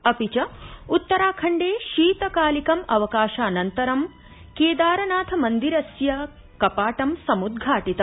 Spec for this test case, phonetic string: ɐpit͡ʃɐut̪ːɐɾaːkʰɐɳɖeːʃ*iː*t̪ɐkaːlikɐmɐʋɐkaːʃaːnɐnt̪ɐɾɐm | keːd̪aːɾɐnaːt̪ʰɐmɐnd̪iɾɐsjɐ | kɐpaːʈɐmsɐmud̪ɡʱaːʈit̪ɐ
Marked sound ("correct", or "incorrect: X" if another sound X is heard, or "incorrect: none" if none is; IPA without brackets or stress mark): correct